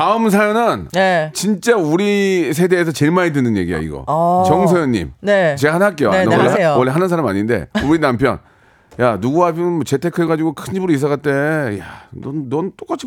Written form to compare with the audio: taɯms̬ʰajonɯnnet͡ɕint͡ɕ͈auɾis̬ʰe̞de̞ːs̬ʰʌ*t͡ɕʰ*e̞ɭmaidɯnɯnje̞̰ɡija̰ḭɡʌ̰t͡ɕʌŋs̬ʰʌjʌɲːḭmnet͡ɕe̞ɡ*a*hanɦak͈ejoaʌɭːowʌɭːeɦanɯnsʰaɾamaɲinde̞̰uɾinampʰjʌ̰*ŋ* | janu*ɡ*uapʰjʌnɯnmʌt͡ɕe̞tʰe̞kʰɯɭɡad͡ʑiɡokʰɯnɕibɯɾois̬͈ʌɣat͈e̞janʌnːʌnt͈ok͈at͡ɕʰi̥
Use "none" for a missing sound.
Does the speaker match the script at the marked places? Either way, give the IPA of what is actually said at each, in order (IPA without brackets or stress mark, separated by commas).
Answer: t͡ɕ, a, n, ɡ